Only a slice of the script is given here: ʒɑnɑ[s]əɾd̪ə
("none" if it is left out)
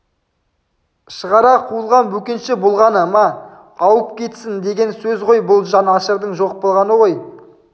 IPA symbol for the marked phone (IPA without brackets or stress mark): ʃ